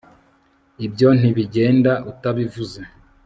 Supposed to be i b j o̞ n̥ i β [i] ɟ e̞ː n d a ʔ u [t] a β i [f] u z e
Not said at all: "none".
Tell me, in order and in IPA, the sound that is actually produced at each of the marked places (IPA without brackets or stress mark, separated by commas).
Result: i, t, v